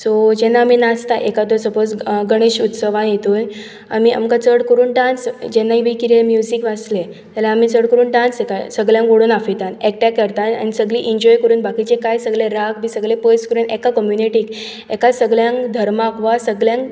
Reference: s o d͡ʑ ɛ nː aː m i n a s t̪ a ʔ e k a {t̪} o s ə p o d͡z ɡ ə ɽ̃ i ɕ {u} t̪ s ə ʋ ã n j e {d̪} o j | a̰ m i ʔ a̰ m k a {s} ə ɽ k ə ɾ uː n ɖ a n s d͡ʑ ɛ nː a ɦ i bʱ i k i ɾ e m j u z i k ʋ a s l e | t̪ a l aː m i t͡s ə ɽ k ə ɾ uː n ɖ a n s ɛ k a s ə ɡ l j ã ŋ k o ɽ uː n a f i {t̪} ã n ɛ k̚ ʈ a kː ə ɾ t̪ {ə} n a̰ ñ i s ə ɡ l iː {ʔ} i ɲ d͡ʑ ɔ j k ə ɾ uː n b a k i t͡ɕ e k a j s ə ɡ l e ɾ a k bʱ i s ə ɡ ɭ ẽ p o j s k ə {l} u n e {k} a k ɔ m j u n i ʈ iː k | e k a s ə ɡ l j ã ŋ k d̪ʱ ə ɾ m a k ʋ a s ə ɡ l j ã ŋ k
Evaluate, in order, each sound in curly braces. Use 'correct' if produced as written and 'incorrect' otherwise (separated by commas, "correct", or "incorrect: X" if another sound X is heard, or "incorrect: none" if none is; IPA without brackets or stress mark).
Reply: correct, correct, incorrect: t̪, incorrect: t͡s, correct, incorrect: a, correct, incorrect: ɾ, correct